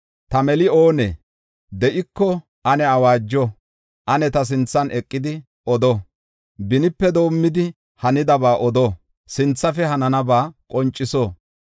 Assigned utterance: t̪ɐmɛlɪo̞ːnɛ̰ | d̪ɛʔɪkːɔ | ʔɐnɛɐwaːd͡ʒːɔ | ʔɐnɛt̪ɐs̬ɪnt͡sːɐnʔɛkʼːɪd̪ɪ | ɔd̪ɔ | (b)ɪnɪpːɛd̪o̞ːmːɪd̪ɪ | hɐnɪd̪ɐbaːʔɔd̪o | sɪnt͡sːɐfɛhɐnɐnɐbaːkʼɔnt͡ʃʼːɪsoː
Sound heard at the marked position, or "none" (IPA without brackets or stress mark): b